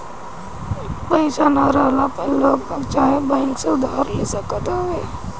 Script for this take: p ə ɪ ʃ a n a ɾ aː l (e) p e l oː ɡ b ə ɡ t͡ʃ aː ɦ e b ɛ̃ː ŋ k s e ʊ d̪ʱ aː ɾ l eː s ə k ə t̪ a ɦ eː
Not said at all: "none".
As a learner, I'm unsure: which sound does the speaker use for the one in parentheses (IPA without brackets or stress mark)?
a